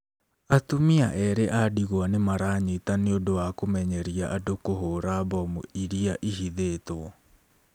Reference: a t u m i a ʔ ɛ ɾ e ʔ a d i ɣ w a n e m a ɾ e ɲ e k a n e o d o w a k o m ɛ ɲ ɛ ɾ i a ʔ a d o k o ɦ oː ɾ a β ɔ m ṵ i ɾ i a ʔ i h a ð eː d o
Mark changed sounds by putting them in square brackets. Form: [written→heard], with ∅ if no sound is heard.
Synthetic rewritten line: a t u m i a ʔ ɛ ɾ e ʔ a d i ɣ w a n e m a ɾ [e→a] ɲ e [k→t] a n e o d o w a k o m ɛ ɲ ɛ ɾ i a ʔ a d o k o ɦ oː ɾ a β ɔ m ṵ i ɾ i a ʔ i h [a→i] ð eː [d→t] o